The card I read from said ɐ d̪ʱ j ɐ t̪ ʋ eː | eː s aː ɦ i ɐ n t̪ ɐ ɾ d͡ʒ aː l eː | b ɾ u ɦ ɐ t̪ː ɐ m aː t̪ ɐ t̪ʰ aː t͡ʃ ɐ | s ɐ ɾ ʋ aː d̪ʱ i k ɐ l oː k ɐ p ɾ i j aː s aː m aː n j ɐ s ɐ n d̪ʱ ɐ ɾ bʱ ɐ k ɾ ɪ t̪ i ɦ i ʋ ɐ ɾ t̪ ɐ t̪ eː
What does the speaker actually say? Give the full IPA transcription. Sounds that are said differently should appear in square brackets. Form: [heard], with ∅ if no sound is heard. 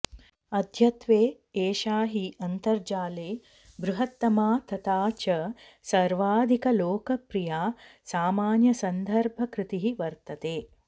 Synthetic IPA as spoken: ɐ d̪ʱ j ɐ t̪ ʋ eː | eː [ʃ] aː ɦ i ɐ n t̪ ɐ ɾ d͡ʒ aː l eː | b ɾ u ɦ ɐ t̪ː ɐ m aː t̪ ɐ [t̪] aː t͡ʃ ɐ | s ɐ ɾ ʋ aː d̪ʱ i k ɐ l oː k ɐ p ɾ i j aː s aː m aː n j ɐ s ɐ n d̪ʱ ɐ ɾ bʱ ɐ k ɾ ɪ t̪ i ɦ i ʋ ɐ ɾ t̪ ɐ t̪ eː